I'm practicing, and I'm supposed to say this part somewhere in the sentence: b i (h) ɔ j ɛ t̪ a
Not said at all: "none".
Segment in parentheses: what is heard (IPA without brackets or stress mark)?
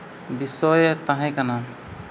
s